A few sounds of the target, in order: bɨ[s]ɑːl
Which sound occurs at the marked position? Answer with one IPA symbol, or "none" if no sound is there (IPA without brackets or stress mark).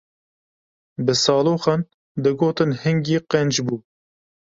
s